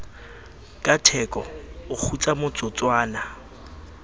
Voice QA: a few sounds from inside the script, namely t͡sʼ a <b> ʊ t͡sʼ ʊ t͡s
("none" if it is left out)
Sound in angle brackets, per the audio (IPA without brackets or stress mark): m